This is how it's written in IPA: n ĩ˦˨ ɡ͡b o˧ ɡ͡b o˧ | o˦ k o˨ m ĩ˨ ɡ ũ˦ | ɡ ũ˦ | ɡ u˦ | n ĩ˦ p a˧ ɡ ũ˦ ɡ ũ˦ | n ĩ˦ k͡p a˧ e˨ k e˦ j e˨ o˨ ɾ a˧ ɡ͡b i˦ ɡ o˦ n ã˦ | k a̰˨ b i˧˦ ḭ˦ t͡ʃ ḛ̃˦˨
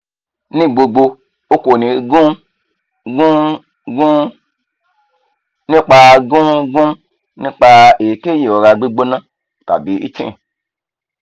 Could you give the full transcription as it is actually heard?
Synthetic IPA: n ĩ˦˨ ɡ͡b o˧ ɡ͡b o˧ | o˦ k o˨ n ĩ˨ ɡ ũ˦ | ɡ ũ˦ | ɡ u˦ | n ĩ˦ k͡p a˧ ɡ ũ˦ ɡ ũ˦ | n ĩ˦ k͡p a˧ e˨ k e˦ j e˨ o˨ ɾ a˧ ɡ͡b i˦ ɡ͡b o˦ n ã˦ | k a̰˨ b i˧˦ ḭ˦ t͡ʃ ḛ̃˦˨